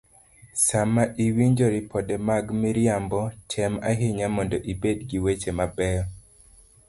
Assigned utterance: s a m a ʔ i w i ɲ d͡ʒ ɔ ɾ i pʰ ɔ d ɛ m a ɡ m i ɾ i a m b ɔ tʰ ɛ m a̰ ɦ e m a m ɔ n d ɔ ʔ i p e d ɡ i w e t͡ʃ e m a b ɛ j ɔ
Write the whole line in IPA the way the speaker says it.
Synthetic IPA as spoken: s a m a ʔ i w i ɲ d͡ʒ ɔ ɾ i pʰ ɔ d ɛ m a ɡ m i ɾ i a m b ɔ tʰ ɛ m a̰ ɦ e ɲ a m ɔ n d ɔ ʔ i b e d ɡ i w e t͡ʃ e m a b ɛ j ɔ